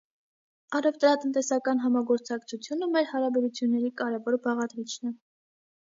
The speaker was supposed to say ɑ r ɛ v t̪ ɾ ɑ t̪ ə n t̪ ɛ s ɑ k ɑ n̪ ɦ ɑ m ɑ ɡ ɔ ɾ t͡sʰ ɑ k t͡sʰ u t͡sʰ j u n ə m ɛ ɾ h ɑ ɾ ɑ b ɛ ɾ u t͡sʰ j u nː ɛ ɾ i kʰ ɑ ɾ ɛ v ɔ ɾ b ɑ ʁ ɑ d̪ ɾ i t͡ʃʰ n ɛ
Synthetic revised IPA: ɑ r ɛ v t̪ ɾ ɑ t̪ ə n t̪ ɛ s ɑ k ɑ n̪ ɦ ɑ m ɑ ɡ ɔ ɾ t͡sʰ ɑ k t͡sʰ u t͡sʰ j u n ə m ɛ ɾ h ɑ ɾ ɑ b ɛ ɾ u t͡sʰ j u nː ɛ ɾ i k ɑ ɾ ɛ v ɔ ɾ b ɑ ʁ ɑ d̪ ɾ i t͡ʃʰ n ɛ